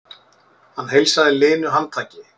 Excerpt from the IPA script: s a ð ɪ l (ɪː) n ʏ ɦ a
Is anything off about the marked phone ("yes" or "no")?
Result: no